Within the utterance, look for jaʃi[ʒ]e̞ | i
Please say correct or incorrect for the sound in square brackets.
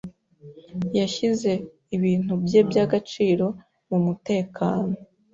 incorrect